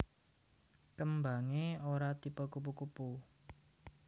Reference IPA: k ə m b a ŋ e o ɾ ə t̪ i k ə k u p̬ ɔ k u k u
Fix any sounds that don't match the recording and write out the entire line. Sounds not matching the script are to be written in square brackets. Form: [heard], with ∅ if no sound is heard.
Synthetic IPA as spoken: k ə m b a ŋ e o ɾ [a] t̪ i [p] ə k u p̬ [u] k u [p] u